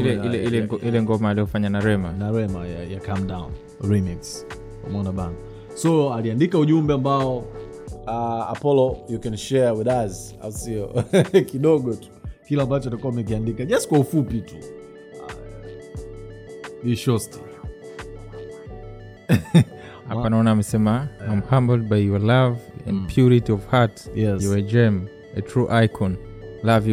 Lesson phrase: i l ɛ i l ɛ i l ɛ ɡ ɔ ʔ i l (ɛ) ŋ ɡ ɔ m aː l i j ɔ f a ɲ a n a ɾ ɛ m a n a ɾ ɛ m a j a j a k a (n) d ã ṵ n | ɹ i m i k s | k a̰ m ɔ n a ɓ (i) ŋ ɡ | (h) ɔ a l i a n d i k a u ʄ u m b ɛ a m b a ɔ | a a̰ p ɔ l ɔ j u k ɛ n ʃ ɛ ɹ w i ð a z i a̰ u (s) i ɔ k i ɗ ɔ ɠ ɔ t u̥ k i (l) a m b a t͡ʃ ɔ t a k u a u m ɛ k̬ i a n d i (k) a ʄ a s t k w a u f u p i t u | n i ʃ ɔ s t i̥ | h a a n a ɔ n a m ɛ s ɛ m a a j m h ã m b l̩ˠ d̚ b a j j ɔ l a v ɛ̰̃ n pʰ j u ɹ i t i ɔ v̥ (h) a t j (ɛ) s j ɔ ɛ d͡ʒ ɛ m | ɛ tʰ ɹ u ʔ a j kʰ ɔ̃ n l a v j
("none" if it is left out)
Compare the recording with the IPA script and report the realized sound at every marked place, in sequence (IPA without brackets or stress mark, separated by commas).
ɛ, m, a, s, s, l, k, h, ɛ